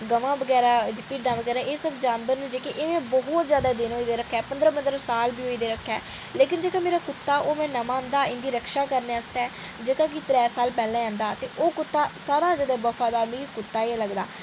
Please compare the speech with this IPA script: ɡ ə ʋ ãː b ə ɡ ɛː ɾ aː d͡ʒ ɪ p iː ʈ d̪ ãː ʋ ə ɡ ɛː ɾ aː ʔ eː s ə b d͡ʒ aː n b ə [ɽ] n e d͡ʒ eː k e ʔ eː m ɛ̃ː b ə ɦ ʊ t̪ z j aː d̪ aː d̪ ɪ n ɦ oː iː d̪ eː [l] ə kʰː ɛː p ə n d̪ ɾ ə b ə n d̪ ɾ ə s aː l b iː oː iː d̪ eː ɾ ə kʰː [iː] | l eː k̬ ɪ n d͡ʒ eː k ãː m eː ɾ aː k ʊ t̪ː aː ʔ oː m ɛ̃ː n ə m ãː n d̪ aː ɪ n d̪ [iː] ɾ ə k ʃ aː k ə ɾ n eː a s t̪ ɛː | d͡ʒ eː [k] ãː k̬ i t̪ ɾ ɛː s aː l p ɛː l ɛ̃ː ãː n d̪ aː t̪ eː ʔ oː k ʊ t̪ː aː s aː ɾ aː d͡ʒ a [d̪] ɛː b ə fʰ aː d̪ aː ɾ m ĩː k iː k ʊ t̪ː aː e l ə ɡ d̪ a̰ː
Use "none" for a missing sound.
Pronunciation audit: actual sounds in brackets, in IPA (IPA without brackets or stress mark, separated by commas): ɾ, ɾ, ɛː, iː, k, d̪